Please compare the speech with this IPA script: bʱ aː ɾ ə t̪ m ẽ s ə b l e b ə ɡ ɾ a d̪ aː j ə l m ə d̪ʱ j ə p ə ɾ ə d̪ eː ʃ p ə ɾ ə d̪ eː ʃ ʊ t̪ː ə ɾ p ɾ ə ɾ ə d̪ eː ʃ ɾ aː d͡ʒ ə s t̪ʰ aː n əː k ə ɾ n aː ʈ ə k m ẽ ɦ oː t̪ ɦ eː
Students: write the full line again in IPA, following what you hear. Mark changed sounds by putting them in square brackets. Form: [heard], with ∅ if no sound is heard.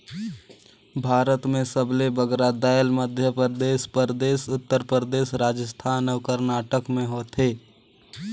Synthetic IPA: bʱ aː ɾ ə t̪ m ẽ s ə b l e b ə ɡ ɾ a d̪ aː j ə l m ə d̪ʱ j ə p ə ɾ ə d̪ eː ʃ p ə ɾ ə d̪ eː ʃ ʊ t̪ː ə ɾ p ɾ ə ɾ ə d̪ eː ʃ ɾ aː d͡ʒ ə s t̪ʰ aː n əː k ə ɾ n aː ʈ ə k m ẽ ɦ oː t̪ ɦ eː